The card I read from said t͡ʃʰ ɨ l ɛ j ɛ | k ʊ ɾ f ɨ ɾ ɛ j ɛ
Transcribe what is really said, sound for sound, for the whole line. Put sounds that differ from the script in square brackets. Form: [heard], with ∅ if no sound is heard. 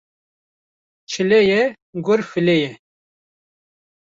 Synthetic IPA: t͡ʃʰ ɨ l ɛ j ɛ | [ɡ] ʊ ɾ f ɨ [l] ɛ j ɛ